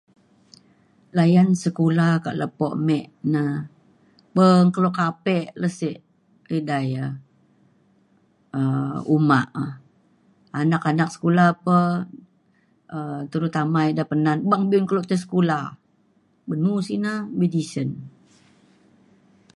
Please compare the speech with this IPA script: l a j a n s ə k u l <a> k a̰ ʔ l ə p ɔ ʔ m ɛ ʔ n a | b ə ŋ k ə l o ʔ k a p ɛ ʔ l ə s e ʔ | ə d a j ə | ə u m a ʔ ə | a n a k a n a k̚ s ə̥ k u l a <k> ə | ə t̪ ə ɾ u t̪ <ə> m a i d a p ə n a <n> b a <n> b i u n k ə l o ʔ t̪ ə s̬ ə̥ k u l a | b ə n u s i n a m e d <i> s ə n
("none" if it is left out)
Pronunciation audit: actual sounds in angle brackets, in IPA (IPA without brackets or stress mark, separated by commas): a, p, a, n, ŋ, i